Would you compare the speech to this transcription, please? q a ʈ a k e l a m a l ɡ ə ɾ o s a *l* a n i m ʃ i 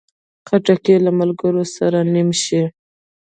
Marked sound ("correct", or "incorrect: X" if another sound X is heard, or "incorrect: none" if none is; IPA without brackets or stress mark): incorrect: ɾ